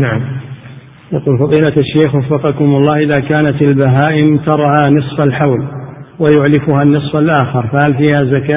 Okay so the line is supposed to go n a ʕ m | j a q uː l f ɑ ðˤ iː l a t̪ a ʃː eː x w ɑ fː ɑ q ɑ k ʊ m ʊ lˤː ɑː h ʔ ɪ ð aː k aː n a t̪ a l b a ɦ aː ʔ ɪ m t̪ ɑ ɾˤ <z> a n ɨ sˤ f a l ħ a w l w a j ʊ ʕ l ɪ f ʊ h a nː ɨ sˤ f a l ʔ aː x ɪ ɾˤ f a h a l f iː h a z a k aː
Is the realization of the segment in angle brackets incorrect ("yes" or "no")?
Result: yes